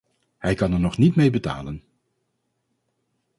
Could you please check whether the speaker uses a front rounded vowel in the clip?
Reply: no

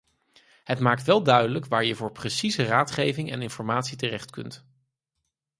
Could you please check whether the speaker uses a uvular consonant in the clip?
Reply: yes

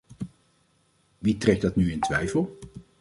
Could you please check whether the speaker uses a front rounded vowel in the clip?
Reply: yes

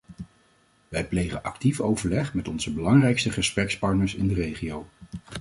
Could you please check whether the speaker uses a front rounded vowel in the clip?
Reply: no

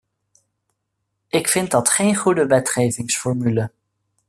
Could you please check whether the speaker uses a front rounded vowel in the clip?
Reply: yes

